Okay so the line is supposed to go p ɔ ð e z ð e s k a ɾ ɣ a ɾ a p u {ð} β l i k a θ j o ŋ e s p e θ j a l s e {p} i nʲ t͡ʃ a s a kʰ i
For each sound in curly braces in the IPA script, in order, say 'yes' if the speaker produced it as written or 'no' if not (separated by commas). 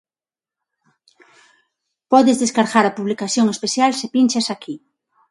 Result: no, yes